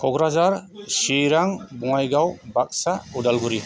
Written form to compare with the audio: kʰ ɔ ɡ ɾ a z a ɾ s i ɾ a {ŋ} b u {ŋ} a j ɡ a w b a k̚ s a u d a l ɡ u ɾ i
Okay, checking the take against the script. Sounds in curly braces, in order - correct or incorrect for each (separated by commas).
correct, correct